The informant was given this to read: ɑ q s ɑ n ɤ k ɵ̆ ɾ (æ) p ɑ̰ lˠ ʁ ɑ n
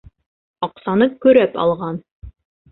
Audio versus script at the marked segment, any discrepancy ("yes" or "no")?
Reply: no